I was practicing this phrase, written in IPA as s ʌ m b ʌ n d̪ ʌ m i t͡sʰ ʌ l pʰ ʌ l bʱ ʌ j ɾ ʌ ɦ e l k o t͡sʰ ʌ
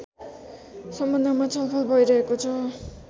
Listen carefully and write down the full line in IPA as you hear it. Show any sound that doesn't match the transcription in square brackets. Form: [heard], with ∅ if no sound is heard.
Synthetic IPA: s ʌ m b ʌ n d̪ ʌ m [a] t͡sʰ ʌ l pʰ ʌ l bʱ ʌ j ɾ ʌ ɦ e [∅] k o t͡sʰ ʌ